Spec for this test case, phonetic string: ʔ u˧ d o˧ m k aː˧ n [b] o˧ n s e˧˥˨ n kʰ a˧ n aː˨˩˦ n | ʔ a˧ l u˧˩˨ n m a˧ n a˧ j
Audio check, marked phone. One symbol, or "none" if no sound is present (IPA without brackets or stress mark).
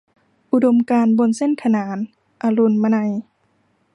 b